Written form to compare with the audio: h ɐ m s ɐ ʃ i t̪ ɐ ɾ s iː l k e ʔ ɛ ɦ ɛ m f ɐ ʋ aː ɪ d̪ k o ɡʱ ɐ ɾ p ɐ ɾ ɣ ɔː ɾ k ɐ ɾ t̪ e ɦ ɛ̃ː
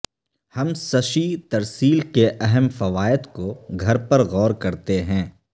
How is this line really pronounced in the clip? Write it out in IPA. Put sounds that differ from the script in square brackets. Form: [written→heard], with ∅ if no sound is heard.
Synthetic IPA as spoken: h ɐ m s ɐ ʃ i t̪ ɐ ɾ s iː l k e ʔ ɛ ɦ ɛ m f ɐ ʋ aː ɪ d̪ k o ɡʱ ɐ ɾ p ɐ ɾ ɣ ɔː ɾ k ɐ ɾ t̪ e ɦ ɛ̃ː